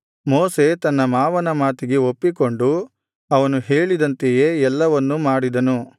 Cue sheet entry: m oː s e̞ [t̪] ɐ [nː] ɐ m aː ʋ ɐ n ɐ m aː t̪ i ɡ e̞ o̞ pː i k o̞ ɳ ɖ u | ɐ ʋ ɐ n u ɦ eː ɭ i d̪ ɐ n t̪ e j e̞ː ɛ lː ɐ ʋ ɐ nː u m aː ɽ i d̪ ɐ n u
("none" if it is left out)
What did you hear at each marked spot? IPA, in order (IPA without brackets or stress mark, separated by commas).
t̪, nː